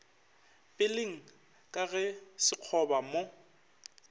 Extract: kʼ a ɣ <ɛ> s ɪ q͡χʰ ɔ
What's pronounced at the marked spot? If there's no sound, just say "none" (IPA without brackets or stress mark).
ɛ